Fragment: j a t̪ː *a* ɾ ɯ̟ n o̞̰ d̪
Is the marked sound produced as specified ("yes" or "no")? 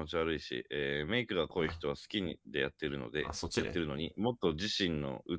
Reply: no